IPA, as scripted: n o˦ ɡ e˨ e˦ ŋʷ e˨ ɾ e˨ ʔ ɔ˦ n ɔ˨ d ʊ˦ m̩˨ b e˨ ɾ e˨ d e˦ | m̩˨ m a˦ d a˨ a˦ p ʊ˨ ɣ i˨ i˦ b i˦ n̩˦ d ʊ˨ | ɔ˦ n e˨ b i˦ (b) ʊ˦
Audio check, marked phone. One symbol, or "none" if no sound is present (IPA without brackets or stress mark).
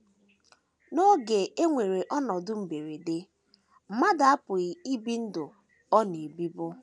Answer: b